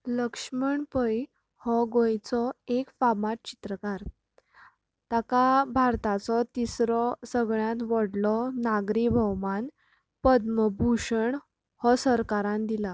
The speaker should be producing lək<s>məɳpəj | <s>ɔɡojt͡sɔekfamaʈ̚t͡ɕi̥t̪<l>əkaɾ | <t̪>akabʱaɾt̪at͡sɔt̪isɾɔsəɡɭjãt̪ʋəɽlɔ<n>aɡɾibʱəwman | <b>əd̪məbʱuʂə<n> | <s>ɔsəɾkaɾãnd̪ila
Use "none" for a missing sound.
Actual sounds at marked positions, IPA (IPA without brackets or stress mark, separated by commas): ʂ, h, ɾ, t̪, n, p, ɳ, h